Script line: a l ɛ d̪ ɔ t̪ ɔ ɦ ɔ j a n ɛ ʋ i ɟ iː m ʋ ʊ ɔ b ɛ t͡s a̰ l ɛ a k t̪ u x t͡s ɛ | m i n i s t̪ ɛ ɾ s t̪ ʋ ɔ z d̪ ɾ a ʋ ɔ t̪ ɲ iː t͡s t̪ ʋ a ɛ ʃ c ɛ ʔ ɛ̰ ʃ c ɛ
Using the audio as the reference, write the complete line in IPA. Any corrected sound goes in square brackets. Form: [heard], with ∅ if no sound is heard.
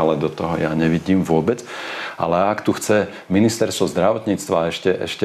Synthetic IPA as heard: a l ɛ d̪ ɔ t̪ ɔ ɦ ɔ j a [ɲ] ɛ ʋ i ɟ iː m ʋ ʊ ɔ b ɛ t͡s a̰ l ɛ a k t̪ u x t͡s ɛ | m i n i s t̪ ɛ ɾ s t̪ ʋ ɔ z d̪ ɾ a ʋ ɔ t̪ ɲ iː t͡s t̪ ʋ a ɛ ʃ c ɛ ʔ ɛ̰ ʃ c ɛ